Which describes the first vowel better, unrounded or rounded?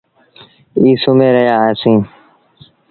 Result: unrounded